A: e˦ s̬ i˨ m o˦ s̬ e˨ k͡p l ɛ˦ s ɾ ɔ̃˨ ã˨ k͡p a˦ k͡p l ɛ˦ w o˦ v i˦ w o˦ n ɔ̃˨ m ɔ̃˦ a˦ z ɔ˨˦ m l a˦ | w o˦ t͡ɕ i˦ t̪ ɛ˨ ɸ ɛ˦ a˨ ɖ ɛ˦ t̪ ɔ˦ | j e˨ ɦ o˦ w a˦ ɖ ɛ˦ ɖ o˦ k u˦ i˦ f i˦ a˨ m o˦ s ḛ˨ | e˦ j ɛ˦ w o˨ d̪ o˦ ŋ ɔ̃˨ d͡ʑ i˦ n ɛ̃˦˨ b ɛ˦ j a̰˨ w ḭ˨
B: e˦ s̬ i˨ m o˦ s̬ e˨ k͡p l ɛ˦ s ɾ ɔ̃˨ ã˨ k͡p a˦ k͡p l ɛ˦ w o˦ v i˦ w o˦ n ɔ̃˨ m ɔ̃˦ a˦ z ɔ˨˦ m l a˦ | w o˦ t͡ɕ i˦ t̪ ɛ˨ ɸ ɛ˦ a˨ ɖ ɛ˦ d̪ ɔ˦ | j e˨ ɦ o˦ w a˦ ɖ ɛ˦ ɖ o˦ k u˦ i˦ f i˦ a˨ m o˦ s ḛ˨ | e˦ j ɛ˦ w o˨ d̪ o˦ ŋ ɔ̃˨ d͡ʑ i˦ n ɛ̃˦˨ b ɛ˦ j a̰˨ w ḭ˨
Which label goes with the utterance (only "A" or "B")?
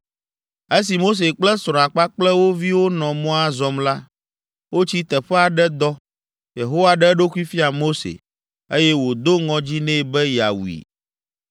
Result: B